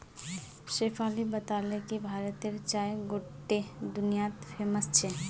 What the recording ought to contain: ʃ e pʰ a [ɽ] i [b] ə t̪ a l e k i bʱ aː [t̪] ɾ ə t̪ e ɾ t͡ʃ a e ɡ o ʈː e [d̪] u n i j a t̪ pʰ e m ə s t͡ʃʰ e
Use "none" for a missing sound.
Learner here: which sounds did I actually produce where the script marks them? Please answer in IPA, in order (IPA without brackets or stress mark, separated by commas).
l, b, none, d̪